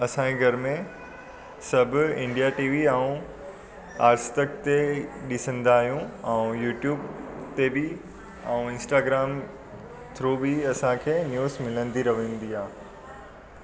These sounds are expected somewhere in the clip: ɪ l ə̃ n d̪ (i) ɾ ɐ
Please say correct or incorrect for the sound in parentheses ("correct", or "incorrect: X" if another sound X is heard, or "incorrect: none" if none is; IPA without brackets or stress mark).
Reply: correct